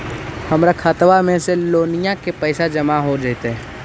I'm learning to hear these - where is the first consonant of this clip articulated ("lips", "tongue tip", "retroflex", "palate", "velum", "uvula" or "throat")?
throat